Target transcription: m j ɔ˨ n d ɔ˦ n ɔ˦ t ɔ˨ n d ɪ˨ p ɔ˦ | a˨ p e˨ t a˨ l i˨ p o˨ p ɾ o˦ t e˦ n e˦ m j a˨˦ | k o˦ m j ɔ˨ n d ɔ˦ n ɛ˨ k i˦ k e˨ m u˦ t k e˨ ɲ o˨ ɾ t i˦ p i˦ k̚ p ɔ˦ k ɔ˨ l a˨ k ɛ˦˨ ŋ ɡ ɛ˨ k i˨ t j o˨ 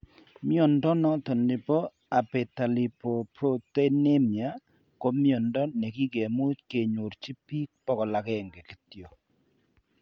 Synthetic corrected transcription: m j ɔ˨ n d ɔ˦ n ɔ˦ t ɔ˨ n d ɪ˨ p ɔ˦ | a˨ p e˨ t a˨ l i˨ p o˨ p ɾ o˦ t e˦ n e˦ m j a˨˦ | k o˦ m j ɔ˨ n d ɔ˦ n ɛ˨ k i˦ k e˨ m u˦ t k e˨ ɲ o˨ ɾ t͡ʃ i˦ p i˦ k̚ p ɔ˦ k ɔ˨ l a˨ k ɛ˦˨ ŋ ɡ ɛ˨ k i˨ t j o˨